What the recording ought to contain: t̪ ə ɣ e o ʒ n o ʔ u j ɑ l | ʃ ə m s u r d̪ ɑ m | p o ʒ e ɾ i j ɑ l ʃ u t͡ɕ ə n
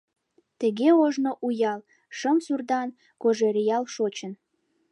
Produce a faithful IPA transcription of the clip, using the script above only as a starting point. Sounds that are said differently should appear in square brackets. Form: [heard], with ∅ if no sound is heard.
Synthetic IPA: t̪ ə ɣ e o ʒ n o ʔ u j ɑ l | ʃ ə m s u r d̪ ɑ [n] | [k] o ʒ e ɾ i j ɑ l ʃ [o] t͡ɕ ə n